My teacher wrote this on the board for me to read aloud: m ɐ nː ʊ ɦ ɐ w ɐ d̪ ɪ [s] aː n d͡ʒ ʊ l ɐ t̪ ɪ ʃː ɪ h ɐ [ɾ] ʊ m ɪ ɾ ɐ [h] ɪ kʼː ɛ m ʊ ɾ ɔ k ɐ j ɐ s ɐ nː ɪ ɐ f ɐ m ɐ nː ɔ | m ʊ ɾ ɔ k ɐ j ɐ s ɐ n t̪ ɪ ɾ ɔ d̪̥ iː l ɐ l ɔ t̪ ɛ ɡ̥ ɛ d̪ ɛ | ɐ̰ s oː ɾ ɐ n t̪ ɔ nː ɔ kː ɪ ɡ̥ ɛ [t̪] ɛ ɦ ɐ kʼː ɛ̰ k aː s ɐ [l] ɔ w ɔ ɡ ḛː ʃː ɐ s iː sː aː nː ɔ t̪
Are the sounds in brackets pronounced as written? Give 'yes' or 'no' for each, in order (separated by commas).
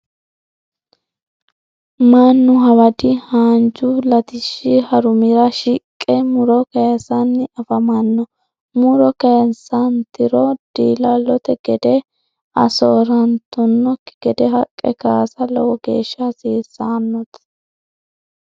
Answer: no, yes, no, no, yes